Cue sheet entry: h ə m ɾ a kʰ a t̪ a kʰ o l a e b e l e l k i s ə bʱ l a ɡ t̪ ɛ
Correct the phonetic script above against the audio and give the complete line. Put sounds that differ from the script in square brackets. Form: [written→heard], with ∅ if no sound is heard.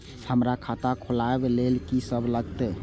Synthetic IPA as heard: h ə m ɾ a kʰ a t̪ a kʰ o l a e b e l e l k i s ə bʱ l [a→ə] ɡ t̪ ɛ